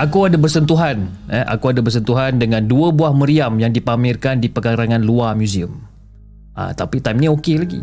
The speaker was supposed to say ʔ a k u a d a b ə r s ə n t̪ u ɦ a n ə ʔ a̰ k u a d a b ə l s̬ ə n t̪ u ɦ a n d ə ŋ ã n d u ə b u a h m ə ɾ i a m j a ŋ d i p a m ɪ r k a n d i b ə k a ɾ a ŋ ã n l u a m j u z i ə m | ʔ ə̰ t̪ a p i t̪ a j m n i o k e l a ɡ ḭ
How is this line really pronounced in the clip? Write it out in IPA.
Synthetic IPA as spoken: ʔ a k u a d a b ə r s ə n t̪ u ɦ a n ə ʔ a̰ k u a d a b ə r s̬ ə n t̪ u ɦ a n d ə ŋ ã n d u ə b u a h m ə ɾ i a m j a ŋ d i p a m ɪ r k a n d i p ə k a ɾ a ŋ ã n l u a m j u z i ə m | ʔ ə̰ t̪ a p i t̪ a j m n i o k e l a ɡ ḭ